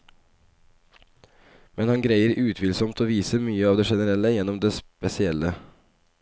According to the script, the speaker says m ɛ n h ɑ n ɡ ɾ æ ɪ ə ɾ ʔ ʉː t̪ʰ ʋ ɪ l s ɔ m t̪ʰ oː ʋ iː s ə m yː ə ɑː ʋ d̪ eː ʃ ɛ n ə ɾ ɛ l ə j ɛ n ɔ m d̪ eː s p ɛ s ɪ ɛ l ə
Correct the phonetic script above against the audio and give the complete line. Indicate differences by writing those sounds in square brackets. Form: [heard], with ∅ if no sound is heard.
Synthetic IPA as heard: m ɛ n h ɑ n ɡ ɾ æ ɪ ə ɾ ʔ ʉː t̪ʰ ʋ ɪ l s ɔ m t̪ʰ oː ʋ iː s ə m yː ə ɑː ʋ d̪ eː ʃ ɛ n ə ɾ ɛ l ə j ɛ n ɔ m d̪ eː s p ɛ s ɪ ɛ l ə